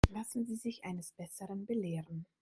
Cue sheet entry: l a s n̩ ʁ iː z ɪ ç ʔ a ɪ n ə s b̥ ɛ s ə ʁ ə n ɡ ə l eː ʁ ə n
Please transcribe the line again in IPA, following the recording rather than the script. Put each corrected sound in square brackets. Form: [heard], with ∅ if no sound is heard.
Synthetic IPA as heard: l a s n̩ [z] iː z ɪ ç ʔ a ɪ n ə s b̥ ɛ s ə ʁ ə n [b] ə l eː ʁ ə n